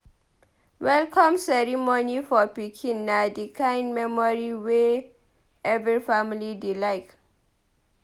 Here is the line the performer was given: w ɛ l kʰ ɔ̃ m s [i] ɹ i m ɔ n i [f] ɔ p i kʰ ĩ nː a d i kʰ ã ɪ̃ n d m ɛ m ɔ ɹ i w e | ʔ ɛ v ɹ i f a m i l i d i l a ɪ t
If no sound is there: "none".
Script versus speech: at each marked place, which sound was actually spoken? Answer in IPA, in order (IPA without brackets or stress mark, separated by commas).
ɛ, f